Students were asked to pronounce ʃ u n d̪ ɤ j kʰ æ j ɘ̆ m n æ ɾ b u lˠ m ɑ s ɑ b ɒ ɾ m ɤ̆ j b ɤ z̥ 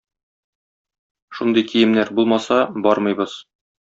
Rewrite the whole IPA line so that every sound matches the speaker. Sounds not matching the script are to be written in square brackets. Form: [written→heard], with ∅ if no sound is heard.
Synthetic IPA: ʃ u n d̪ ɤ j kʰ [æ→i] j ɘ̆ m n æ ɾ b u lˠ m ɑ s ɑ b ɒ ɾ m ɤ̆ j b ɤ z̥